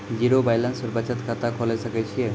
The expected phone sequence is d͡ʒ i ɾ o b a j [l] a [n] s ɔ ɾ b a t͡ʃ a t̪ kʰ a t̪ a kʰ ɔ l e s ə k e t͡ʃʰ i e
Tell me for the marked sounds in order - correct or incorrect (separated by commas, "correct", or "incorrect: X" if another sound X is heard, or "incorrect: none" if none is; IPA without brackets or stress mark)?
correct, correct